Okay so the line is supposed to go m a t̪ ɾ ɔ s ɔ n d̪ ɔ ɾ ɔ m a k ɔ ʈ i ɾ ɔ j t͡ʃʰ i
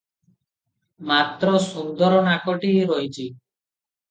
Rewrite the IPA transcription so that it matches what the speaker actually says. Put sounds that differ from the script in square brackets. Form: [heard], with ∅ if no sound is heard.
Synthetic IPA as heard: m a t̪ ɾ ɔ s [u] n d̪ ɔ ɾ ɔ [n] a k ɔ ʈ i ɾ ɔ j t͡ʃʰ i